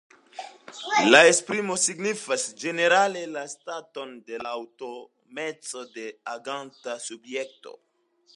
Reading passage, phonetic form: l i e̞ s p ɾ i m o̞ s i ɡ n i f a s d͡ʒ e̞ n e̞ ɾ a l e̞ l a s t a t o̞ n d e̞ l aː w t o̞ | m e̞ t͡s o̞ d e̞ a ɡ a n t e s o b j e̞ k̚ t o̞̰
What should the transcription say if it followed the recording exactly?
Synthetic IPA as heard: l a e̞ s p ɾ i m o̞ s i ɡ n i f a s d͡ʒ e̞ n e̞ ɾ a l e̞ l a s t a t o̞ n d e̞ l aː w t o̞ | m e̞ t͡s o̞ d e̞ a ɡ a n t a s u b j e̞ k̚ t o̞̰